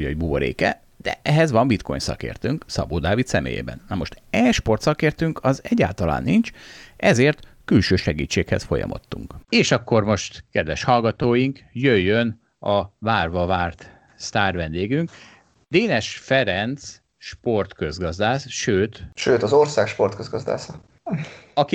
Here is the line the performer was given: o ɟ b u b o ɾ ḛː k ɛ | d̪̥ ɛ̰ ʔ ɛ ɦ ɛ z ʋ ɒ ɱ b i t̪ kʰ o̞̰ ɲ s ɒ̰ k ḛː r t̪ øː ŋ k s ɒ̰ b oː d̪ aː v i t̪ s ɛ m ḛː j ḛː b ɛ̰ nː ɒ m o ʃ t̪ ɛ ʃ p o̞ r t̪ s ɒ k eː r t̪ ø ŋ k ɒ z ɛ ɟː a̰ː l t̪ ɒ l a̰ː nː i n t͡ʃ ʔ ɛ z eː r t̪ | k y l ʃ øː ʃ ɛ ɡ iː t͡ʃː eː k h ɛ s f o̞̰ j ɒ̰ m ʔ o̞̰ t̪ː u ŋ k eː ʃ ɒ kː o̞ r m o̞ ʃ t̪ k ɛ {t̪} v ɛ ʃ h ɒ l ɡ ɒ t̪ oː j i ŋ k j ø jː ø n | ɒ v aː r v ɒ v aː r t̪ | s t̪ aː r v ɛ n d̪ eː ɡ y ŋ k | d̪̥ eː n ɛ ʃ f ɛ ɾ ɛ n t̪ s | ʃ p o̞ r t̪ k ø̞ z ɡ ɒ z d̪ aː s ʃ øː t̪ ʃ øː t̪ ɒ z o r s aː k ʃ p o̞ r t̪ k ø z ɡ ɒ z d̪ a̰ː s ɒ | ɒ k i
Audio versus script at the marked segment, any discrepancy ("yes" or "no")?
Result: yes